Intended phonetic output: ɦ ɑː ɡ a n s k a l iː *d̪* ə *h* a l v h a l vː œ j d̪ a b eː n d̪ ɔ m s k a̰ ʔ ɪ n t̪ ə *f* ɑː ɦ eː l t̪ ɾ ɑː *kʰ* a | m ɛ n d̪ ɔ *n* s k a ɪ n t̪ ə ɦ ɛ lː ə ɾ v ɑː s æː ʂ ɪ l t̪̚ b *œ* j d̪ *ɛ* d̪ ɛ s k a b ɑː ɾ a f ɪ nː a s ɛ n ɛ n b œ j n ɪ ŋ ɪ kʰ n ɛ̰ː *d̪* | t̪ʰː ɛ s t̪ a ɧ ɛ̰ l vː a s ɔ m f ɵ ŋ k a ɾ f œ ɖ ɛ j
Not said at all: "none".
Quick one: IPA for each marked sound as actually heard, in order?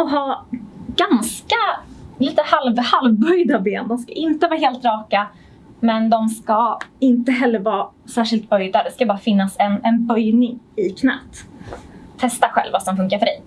t̪, h, v, k, m, œ, a, t̪

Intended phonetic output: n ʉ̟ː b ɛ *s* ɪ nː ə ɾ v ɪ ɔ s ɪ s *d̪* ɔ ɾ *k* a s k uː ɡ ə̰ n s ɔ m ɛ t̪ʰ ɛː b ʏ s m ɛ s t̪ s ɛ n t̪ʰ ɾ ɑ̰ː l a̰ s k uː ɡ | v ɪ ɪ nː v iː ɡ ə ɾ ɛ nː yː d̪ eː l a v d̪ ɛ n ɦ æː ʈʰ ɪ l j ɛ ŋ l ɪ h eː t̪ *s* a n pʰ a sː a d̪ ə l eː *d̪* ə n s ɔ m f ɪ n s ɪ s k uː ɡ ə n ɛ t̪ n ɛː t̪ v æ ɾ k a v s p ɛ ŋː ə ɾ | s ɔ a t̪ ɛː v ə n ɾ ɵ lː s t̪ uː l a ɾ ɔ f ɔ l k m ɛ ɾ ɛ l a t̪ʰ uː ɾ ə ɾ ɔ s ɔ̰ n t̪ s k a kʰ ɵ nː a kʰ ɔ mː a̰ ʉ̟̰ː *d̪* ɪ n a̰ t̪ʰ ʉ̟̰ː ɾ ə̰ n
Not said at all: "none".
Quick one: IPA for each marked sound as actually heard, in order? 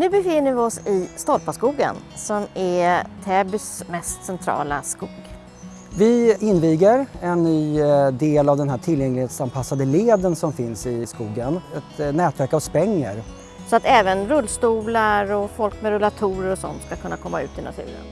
f, t̪, p, s, d̪, t̪

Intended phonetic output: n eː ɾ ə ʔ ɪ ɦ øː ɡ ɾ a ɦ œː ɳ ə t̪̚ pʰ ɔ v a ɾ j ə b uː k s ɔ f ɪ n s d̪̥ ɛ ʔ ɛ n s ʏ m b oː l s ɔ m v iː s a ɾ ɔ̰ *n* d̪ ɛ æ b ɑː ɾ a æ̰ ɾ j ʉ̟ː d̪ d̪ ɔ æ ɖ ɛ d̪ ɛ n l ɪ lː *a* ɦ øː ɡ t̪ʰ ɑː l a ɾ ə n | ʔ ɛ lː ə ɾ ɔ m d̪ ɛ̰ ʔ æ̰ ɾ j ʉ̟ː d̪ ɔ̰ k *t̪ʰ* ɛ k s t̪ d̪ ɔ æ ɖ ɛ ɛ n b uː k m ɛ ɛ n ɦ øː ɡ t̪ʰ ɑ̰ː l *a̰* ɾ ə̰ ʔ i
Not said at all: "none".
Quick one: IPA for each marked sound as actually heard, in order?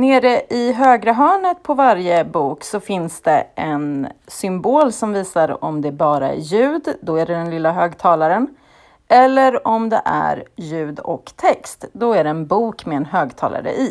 m, a, t̪ʰ, a̰

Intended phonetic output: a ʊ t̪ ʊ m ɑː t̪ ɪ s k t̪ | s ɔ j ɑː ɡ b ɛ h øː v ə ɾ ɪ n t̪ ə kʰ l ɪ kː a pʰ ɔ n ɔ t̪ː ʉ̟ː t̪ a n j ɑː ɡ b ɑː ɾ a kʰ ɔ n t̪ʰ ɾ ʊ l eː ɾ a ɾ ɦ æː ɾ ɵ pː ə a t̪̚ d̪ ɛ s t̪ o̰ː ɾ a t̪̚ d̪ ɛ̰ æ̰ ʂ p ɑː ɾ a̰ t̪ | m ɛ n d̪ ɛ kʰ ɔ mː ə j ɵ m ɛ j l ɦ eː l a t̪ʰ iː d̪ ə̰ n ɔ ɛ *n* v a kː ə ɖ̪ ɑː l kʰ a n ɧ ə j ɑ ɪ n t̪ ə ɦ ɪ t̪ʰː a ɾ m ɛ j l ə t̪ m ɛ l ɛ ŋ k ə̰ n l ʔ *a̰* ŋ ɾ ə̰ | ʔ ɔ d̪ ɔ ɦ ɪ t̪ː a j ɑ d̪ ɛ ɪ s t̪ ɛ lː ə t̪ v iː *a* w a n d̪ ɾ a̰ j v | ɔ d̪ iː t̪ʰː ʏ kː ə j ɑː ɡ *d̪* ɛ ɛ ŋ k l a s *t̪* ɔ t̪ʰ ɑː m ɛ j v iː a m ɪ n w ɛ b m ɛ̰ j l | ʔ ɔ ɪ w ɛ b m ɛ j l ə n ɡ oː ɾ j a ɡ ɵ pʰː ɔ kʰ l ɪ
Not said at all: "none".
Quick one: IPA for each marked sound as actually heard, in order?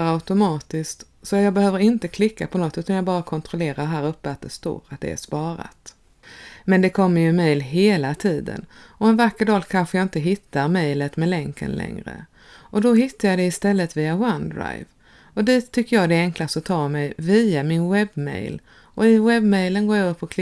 n, ɛ̰, a, d̪, t̪

